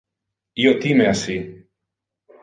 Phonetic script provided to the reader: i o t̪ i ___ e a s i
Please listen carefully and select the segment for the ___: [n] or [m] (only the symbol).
m